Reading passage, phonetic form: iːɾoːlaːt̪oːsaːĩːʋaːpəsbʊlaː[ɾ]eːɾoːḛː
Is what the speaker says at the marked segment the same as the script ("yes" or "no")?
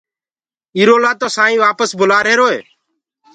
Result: yes